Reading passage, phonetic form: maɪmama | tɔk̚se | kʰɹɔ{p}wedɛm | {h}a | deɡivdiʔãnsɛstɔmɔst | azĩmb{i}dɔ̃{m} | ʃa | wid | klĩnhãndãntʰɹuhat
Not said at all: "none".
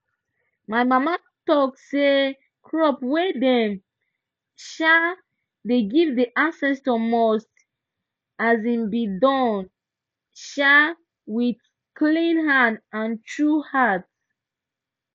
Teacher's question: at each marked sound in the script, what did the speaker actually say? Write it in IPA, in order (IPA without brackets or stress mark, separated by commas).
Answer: p, ʃ, i, n